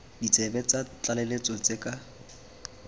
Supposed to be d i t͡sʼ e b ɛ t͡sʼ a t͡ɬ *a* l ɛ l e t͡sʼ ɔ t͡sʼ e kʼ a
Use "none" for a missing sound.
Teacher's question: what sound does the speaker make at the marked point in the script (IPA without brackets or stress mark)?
a